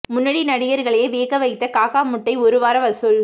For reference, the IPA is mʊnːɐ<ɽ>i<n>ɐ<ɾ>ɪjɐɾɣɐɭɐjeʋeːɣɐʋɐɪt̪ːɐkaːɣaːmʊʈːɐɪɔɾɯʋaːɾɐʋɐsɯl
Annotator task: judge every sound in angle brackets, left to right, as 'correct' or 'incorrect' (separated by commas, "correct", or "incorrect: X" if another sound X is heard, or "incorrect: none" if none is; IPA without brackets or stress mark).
correct, correct, incorrect: ɽ